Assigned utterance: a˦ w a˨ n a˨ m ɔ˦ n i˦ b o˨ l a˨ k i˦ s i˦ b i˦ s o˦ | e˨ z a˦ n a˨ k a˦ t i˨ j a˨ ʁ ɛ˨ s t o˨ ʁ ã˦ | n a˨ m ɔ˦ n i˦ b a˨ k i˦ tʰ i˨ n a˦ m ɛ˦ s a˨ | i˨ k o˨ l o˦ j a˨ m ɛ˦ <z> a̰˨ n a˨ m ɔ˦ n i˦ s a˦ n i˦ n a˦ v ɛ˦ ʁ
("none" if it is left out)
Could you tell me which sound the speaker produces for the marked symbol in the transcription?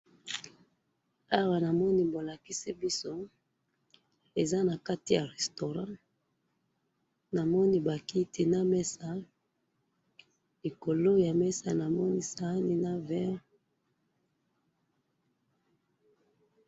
s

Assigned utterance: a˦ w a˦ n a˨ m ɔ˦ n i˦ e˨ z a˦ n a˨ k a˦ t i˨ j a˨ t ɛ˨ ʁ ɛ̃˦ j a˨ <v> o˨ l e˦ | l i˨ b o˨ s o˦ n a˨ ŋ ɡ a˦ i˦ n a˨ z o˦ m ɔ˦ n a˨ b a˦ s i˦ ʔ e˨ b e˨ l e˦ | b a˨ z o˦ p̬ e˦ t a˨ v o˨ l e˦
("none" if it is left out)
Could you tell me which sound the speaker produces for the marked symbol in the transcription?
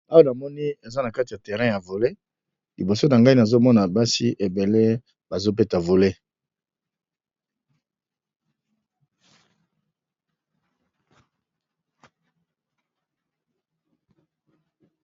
v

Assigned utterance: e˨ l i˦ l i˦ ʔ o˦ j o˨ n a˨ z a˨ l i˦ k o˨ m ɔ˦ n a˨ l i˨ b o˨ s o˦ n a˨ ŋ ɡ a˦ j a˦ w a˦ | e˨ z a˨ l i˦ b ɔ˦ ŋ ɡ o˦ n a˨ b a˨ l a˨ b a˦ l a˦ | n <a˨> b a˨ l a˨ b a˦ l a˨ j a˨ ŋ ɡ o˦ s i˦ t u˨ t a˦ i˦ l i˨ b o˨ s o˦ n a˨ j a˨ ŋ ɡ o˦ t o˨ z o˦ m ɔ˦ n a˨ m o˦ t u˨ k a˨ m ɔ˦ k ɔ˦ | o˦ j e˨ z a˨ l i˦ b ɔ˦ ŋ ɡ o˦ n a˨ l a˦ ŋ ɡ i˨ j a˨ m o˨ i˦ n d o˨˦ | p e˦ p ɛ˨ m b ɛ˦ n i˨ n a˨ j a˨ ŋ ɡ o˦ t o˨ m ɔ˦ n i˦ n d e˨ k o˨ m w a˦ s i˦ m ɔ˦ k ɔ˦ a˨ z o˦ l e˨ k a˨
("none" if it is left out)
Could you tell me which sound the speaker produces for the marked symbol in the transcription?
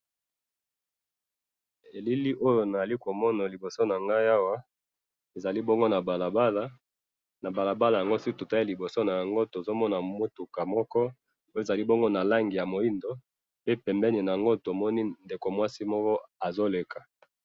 a˨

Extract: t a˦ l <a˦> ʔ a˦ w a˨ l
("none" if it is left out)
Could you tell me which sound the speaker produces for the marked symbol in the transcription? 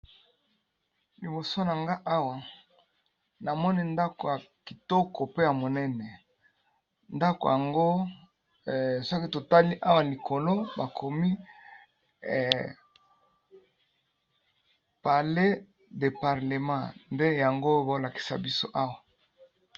i˦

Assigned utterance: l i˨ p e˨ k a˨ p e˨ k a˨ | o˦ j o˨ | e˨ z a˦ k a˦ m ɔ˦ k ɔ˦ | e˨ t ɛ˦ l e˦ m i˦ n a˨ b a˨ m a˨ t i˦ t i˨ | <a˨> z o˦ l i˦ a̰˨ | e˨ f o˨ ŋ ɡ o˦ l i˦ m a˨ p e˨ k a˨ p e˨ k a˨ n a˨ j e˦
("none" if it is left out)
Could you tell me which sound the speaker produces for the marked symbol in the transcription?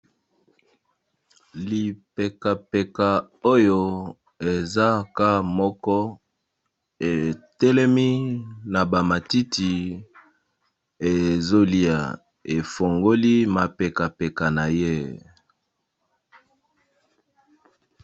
e˨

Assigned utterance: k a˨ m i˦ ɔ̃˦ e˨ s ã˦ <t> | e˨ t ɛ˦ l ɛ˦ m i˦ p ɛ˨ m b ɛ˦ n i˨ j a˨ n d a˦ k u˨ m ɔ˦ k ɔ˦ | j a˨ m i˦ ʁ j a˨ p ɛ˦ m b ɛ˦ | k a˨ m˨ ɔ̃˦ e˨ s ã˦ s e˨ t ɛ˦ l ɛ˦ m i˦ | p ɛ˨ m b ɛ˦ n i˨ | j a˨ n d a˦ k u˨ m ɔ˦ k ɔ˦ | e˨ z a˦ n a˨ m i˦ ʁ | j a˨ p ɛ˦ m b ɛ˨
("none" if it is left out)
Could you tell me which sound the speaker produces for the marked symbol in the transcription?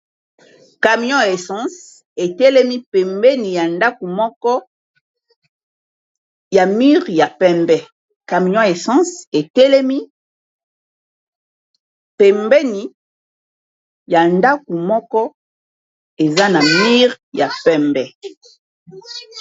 s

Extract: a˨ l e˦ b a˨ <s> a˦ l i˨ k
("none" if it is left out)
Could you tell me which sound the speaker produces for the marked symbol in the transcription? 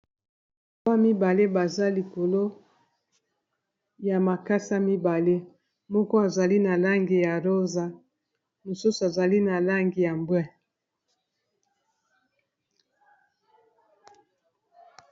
z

